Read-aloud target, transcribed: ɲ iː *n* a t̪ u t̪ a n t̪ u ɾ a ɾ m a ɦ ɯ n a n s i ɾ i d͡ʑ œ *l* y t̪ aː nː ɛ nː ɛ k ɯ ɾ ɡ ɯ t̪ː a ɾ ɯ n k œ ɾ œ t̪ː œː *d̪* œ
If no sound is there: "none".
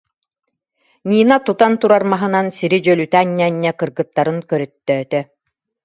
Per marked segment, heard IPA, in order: n, l, t̪

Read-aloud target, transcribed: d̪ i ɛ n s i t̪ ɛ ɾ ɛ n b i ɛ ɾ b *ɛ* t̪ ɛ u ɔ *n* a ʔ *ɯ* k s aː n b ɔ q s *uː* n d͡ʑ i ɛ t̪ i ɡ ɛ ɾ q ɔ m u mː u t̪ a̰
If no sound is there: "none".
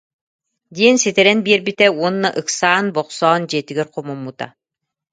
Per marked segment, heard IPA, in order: i, nː, ɯ, ɔː

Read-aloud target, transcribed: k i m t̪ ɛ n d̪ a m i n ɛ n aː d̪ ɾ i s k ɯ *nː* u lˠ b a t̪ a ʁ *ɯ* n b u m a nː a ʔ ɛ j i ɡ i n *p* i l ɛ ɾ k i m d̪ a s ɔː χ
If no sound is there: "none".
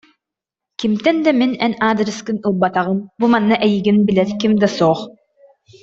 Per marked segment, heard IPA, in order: n, ɯ, b

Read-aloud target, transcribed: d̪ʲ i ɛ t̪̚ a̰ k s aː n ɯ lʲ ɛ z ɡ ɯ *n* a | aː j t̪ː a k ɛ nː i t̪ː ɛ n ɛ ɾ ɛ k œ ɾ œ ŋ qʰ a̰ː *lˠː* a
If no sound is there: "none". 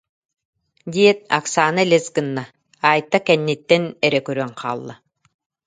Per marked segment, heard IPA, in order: nː, lˠː

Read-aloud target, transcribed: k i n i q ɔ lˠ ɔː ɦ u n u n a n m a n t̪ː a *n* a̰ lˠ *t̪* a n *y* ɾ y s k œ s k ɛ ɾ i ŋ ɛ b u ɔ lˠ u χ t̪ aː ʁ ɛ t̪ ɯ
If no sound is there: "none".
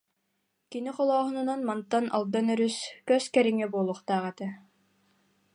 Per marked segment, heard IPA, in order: n, d̪, œ

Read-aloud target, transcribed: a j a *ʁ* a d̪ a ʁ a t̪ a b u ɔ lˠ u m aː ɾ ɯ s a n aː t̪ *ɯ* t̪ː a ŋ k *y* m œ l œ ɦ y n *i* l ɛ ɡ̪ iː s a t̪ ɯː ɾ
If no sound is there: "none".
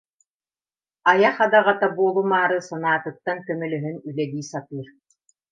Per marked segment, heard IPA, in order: χ, ɯ, œ, y

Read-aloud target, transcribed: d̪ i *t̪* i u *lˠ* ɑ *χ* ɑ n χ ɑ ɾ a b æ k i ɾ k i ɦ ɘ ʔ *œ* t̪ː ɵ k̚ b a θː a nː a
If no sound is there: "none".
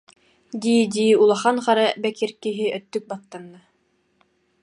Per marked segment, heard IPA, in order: d̪, lˠ, χ, œ

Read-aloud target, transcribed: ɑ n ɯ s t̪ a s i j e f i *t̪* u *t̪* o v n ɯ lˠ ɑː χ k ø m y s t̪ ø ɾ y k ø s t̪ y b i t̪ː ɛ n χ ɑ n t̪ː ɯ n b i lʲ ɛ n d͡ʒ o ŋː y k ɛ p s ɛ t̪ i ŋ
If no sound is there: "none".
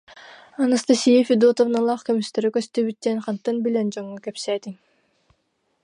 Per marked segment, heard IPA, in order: d̪, t̪

